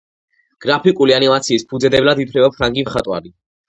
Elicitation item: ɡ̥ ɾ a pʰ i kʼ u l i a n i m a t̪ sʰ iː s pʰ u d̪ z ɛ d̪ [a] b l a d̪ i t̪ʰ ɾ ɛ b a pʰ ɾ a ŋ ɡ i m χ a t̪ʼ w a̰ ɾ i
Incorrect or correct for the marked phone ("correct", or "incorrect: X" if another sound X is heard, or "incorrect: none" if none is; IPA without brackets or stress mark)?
incorrect: ɛ